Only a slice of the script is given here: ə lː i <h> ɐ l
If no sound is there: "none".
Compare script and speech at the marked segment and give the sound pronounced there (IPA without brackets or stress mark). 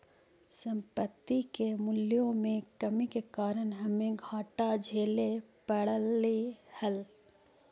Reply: h